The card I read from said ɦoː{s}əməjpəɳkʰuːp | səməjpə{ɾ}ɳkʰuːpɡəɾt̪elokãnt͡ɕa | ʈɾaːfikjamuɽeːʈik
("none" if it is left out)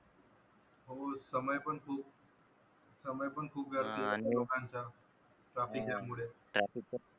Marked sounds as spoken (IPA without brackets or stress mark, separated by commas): s, none